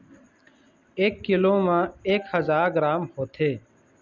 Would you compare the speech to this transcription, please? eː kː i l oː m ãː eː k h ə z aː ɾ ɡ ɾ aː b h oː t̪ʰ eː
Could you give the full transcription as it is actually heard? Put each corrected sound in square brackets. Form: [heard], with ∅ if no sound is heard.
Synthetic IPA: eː kː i l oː m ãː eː k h ə z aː ɾ ɡ ɾ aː [m] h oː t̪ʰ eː